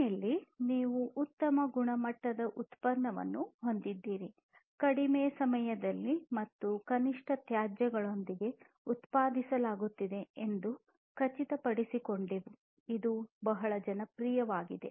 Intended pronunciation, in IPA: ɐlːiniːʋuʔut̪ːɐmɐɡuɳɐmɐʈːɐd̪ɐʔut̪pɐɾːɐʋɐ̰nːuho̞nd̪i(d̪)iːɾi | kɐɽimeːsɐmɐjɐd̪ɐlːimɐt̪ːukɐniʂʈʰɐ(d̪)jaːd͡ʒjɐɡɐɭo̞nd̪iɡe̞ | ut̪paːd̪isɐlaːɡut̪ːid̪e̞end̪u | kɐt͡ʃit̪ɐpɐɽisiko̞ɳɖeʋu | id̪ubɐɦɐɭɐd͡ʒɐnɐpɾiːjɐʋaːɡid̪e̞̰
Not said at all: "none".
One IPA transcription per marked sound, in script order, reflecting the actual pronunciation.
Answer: d̪ː, t̪

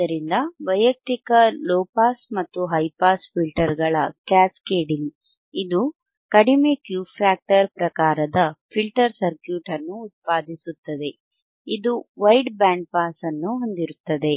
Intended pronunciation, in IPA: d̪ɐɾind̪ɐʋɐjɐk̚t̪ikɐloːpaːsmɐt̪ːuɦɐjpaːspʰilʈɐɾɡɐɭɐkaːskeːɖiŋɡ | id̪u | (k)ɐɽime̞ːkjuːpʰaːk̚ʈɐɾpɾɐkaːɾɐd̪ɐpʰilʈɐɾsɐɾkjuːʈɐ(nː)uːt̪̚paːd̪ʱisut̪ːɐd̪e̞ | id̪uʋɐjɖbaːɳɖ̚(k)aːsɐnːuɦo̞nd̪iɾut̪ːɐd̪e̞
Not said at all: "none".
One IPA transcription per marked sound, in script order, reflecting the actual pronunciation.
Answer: k, nː, p

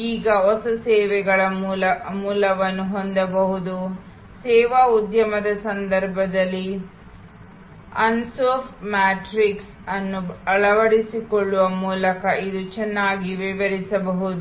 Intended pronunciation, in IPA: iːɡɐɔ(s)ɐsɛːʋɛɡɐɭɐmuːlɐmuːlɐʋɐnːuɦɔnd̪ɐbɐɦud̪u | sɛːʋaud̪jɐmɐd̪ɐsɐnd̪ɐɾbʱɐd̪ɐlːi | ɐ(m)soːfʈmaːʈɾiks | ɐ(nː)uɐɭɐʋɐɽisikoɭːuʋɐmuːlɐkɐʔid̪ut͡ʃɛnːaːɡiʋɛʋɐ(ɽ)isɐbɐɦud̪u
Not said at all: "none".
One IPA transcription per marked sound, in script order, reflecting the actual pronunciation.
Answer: s, n, nː, ɾ

